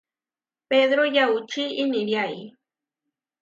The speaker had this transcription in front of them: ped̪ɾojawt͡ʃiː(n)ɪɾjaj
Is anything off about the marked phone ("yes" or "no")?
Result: no